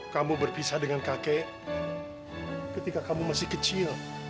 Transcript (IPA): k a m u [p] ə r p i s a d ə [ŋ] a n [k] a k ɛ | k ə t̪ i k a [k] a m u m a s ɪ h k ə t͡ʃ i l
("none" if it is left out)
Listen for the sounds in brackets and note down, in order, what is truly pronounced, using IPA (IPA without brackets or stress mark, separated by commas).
b, ŋ, k, k